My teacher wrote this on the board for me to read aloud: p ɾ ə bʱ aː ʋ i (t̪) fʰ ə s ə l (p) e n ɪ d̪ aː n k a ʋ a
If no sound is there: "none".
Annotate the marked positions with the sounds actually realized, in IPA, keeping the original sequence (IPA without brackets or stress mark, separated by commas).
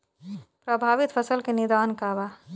t̪, k